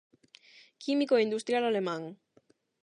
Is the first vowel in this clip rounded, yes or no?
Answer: no